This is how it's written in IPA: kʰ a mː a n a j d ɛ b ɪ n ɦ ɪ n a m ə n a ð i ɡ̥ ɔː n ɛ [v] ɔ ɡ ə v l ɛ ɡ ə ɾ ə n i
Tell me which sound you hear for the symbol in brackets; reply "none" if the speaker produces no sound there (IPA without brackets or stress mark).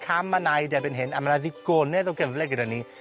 ð